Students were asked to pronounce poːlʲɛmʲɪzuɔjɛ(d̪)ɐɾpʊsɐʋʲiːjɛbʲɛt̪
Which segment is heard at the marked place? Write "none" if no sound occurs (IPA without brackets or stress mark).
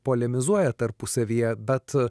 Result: t̪